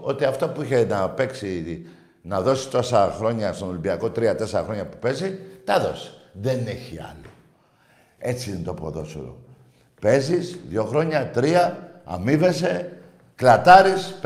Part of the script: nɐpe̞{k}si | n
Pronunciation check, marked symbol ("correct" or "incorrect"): correct